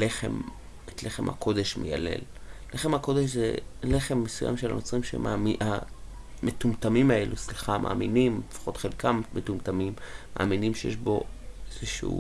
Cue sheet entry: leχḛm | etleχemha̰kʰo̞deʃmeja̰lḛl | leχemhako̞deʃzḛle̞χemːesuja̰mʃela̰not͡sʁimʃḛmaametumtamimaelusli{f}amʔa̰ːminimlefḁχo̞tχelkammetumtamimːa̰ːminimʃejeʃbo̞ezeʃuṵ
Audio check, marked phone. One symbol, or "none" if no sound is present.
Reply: χ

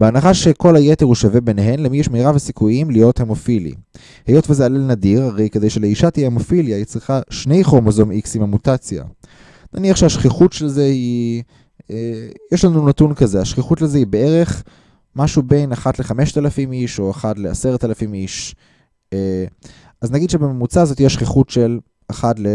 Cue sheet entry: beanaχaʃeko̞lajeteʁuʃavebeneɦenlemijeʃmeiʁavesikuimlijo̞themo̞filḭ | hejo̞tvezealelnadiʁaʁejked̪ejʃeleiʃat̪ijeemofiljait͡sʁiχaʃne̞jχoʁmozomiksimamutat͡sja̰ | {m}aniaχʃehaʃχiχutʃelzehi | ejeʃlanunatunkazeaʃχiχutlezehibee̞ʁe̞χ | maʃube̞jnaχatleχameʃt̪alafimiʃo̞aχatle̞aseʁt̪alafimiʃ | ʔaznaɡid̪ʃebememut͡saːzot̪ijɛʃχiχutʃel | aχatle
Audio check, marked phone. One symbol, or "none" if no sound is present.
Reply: n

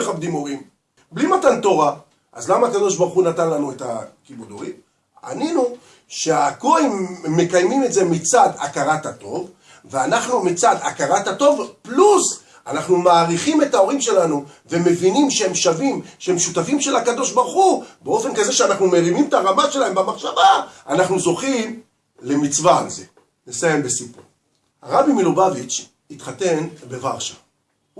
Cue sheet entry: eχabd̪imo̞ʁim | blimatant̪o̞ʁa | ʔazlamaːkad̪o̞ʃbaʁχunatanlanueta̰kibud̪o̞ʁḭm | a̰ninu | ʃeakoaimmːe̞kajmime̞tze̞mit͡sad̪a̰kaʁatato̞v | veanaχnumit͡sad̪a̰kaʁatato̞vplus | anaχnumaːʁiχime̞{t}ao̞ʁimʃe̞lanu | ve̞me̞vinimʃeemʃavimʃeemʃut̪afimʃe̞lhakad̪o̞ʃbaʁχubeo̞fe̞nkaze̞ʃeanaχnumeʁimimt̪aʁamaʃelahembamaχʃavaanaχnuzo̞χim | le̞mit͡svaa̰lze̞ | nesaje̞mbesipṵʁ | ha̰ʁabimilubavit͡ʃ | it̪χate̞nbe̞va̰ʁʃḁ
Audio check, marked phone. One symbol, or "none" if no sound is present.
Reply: t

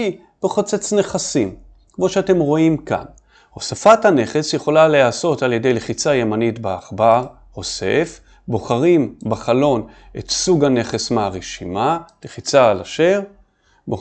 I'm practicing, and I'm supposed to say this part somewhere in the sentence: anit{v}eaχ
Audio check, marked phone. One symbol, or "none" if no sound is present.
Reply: b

